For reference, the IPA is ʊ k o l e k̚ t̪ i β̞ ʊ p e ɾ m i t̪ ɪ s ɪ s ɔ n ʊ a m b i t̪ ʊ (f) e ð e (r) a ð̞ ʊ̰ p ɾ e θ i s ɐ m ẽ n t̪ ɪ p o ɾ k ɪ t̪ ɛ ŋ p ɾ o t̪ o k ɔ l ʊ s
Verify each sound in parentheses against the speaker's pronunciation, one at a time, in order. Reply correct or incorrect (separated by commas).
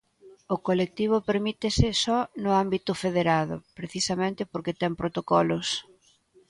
correct, incorrect